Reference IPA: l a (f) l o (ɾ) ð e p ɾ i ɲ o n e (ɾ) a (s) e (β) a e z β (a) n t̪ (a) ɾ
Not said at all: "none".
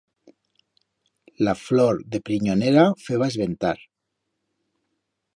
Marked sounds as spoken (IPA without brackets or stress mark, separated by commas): f, ɾ, ɾ, f, β, e, a